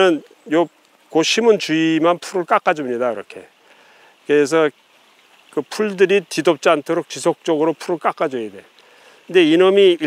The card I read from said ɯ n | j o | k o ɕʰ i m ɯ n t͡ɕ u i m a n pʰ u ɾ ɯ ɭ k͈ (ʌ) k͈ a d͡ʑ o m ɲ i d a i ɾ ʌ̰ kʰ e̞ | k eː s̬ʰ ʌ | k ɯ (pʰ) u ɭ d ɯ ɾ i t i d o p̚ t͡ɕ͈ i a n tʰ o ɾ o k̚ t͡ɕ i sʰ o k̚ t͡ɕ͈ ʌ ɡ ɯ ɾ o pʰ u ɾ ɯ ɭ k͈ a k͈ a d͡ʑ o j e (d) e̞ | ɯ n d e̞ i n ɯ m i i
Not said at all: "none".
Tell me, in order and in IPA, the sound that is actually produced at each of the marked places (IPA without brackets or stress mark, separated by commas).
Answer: a, pʰ, d